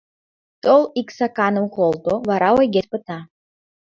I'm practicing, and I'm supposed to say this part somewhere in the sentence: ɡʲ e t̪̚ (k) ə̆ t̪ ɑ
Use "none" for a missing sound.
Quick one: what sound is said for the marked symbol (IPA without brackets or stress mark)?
p